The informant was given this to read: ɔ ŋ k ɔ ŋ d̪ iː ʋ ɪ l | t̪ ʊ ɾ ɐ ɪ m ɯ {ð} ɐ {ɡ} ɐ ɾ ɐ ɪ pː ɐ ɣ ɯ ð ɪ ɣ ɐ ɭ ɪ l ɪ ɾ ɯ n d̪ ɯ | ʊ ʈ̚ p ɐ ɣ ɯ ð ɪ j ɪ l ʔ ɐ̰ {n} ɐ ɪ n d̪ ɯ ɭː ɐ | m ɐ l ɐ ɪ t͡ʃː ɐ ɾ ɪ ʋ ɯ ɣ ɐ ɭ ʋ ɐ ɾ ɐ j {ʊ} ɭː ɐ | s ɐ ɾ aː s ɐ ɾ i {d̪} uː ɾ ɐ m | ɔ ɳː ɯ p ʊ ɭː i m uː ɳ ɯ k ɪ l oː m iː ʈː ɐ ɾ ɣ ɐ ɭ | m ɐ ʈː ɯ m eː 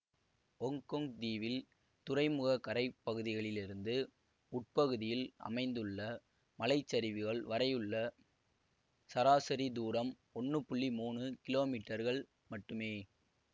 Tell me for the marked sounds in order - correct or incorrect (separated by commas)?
incorrect, incorrect, incorrect, incorrect, correct